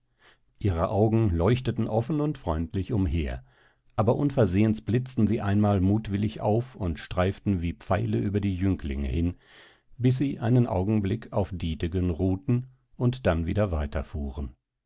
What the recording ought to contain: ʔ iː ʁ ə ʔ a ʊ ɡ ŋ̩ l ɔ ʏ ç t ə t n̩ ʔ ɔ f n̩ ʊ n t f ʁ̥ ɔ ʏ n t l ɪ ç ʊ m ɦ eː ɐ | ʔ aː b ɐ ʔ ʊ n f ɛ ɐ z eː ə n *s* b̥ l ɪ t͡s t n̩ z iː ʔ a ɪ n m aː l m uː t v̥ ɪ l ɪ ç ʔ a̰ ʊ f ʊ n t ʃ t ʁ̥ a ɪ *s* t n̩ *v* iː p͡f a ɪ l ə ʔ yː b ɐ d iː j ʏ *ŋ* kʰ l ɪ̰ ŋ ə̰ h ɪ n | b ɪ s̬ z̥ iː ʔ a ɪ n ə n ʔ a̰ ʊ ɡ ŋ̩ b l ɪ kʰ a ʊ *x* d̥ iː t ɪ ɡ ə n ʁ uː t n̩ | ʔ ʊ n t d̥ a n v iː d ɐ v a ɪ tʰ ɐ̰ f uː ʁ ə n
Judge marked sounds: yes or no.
yes, no, yes, yes, no

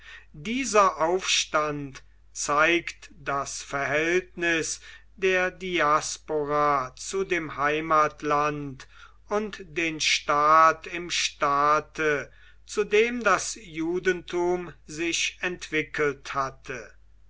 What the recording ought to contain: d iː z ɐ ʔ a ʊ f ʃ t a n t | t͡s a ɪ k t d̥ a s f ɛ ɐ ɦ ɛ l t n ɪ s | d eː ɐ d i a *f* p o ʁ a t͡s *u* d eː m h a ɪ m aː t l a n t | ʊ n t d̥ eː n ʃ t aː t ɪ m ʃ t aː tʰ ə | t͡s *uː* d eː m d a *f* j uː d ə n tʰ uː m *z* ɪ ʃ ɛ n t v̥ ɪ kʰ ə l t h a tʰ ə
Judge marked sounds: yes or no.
no, yes, no, no, yes

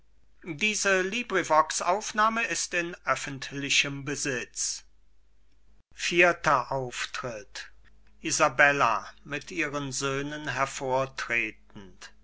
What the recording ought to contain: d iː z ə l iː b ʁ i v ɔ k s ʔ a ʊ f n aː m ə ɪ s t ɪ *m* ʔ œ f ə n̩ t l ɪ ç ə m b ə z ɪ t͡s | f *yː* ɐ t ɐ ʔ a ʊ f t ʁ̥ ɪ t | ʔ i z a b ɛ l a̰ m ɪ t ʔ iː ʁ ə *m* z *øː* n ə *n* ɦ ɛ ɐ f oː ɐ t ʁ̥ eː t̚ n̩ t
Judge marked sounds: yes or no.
no, no, no, yes, yes

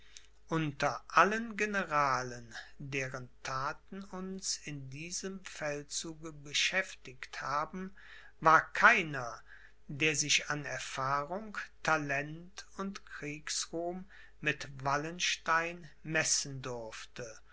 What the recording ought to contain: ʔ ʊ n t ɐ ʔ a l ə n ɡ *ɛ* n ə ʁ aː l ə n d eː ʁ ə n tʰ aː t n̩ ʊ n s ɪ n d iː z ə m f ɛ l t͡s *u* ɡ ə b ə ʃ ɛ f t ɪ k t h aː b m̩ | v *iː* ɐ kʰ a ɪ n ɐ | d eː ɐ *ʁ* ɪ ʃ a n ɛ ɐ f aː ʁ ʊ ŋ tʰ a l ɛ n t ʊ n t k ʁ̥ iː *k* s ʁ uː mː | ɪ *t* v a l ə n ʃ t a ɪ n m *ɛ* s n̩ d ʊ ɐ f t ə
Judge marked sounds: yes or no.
no, no, no, no, yes, yes, yes

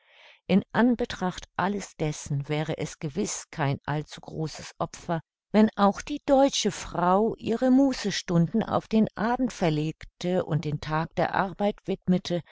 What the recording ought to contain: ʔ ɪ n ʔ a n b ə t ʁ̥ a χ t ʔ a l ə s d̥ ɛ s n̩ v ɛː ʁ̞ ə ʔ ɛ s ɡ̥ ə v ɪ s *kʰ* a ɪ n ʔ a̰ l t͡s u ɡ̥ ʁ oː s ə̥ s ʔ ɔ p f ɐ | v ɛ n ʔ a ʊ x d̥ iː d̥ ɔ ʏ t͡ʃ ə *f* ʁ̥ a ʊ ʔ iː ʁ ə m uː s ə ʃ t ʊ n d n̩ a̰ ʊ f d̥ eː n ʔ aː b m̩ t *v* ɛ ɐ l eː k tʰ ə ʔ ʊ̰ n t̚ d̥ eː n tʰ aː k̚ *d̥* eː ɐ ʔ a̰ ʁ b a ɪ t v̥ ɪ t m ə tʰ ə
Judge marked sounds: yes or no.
yes, yes, no, yes

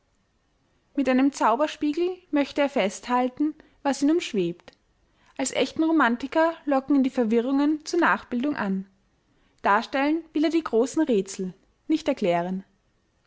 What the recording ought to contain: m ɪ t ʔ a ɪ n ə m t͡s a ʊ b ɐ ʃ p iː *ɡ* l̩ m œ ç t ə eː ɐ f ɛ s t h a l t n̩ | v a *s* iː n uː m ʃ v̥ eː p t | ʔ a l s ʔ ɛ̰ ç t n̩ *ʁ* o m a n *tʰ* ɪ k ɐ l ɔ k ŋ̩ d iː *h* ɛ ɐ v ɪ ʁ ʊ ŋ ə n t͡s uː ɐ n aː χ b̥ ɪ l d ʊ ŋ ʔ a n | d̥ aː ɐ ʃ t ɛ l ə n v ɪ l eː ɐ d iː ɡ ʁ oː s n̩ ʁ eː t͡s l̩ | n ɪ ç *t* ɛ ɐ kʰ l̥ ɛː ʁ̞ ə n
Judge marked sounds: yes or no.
yes, yes, yes, no, no, yes

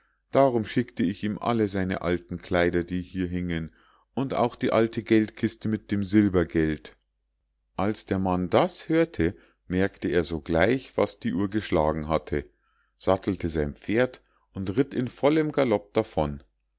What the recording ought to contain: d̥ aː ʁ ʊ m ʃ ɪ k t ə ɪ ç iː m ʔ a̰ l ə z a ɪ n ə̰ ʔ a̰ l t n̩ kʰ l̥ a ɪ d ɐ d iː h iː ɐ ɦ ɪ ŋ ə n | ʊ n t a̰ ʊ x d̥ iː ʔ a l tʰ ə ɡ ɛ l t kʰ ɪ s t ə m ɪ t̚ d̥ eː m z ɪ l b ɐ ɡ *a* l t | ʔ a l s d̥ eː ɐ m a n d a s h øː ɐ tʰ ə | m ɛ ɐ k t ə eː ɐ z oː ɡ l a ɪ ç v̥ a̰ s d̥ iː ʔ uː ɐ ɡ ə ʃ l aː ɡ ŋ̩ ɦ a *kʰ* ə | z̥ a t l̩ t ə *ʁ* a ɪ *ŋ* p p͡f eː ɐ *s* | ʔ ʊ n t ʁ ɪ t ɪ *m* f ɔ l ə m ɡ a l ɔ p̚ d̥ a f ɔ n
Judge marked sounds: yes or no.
no, no, no, no, no, no

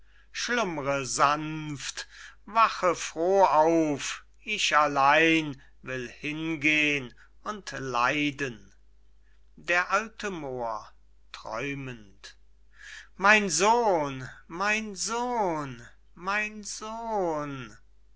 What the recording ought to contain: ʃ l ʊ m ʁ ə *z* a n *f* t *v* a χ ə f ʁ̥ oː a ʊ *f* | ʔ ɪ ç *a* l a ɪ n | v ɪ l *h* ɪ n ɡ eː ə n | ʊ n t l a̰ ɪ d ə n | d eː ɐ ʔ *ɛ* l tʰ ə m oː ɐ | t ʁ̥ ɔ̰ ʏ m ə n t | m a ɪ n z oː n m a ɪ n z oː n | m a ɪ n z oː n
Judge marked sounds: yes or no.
yes, yes, yes, yes, yes, yes, no

